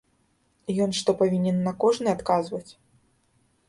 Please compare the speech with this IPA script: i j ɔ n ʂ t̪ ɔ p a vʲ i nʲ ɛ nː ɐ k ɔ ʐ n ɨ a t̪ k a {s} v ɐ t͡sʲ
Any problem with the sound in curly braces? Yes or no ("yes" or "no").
yes